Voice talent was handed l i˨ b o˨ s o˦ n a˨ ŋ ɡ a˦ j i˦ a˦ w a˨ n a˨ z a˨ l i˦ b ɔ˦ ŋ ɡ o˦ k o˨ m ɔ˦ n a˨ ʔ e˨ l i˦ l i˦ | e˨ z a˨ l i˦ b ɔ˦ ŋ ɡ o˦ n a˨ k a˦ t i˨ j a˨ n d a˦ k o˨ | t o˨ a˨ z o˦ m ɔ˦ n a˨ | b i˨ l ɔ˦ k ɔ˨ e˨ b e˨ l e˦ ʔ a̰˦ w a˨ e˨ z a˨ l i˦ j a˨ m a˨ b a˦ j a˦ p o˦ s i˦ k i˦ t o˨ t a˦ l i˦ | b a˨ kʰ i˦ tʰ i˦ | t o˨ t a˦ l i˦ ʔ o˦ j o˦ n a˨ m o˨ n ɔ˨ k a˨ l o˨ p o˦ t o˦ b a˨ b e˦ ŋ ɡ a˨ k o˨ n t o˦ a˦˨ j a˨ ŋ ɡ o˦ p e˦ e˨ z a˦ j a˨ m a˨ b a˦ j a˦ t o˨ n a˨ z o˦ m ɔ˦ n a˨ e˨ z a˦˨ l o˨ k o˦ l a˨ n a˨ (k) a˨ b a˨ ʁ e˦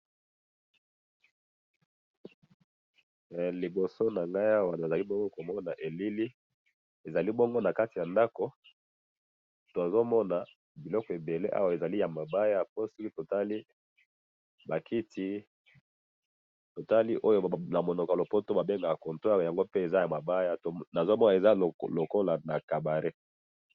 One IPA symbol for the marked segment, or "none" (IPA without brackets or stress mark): k